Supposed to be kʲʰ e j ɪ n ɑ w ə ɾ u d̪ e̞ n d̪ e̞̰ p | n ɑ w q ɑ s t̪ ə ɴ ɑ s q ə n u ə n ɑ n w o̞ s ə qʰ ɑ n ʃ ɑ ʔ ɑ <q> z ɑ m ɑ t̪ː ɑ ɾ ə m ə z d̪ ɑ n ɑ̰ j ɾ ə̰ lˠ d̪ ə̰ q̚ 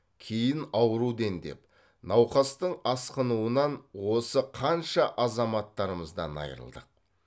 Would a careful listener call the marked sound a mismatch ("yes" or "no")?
yes